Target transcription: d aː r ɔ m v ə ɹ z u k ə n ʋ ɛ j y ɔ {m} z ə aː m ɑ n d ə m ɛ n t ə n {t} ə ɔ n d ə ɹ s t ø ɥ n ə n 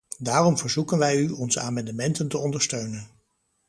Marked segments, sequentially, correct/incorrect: incorrect, correct

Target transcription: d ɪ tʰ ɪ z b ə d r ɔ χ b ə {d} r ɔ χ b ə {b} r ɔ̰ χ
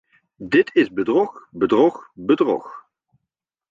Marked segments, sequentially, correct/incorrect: correct, incorrect

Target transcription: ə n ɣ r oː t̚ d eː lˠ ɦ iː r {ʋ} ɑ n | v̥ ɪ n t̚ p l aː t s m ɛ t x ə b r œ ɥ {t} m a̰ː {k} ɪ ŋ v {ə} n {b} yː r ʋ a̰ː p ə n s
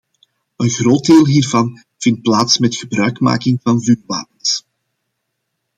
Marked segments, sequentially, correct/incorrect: incorrect, incorrect, correct, incorrect, incorrect

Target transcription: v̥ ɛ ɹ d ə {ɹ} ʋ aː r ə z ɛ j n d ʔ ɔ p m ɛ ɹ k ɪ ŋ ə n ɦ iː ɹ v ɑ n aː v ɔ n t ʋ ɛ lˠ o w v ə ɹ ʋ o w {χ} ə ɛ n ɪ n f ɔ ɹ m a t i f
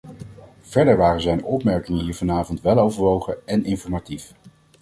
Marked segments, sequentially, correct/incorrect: correct, correct

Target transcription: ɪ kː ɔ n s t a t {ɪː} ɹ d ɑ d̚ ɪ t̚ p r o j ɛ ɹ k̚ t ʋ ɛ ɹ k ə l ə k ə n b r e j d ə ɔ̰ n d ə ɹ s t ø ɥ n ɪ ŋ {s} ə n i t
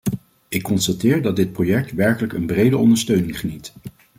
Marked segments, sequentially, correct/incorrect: correct, incorrect

